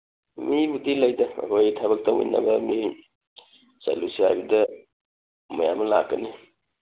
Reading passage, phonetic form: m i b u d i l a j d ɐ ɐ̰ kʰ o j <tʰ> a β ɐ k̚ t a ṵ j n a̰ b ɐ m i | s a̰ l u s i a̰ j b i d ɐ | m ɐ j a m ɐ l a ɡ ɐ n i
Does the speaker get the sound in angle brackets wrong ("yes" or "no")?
no